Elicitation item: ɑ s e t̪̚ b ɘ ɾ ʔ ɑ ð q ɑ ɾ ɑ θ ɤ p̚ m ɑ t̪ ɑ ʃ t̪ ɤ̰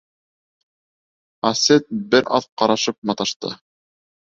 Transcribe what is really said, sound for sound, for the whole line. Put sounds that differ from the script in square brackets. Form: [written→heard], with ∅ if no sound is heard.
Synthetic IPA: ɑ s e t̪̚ b ɘ ɾ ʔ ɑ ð q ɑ ɾ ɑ [θ→ʃ] ɤ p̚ m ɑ t̪ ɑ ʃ t̪ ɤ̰